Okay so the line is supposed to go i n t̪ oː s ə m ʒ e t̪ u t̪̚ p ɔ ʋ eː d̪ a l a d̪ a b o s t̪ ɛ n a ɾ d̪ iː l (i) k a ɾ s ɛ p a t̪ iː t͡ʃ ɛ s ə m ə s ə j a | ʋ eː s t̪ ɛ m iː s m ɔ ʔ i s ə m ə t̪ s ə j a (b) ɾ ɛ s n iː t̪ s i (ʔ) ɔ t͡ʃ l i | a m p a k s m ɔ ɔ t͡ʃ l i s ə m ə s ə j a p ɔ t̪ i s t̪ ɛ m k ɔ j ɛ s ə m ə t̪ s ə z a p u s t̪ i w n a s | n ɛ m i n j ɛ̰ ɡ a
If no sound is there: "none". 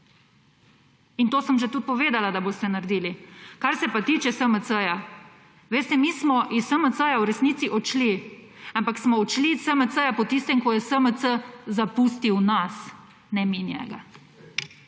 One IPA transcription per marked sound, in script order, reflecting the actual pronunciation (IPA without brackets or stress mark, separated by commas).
i, w, ʔ